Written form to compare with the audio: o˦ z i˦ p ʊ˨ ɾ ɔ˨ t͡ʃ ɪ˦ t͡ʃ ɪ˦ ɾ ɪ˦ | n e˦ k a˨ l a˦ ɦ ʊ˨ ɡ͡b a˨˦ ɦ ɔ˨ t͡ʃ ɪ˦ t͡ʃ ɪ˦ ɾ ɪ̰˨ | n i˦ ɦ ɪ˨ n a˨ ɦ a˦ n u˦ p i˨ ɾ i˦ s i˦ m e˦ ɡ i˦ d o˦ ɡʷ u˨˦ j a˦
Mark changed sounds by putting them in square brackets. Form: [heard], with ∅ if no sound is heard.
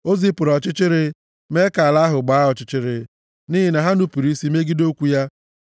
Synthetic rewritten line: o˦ z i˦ p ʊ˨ ɾ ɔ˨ t͡ʃ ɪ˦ t͡ʃ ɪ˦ ɾ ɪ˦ | [m] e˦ k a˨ l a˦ ɦ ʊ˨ ɡ͡b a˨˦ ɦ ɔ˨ t͡ʃ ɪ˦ t͡ʃ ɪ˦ ɾ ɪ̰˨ | n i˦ ɦ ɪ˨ n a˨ ɦ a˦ n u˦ p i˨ ɾ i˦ s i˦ m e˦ ɡ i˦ d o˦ [kʷ] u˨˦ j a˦